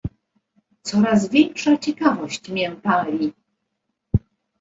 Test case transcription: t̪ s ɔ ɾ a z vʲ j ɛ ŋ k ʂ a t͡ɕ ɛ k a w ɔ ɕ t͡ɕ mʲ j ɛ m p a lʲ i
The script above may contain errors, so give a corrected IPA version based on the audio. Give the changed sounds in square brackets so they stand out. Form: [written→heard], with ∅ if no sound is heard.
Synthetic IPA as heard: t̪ s ɔ ɾ a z vʲ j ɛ ŋ k ʂ a t͡ɕ ɛ k a [w→v] ɔ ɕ t͡ɕ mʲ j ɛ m p a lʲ i